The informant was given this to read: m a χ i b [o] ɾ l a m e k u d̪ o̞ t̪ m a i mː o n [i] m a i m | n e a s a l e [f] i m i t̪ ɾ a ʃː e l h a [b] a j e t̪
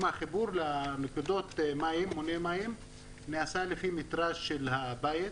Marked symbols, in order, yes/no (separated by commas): no, no, yes, yes